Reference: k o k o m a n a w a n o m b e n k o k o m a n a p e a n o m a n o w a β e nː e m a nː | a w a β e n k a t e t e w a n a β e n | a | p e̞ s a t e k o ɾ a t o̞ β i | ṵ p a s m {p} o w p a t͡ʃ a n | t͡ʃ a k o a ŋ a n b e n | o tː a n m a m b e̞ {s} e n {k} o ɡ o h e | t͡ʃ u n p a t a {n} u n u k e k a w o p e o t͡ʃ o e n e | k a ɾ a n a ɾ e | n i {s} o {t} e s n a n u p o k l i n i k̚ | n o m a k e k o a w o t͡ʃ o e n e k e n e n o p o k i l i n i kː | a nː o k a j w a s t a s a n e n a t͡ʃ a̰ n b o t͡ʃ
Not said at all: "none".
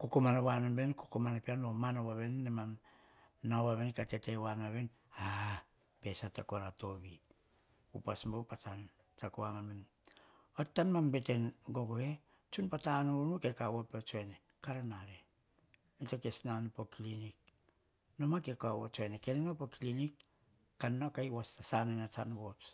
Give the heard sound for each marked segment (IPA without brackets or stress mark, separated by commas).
b, t, ɡ, n, t, k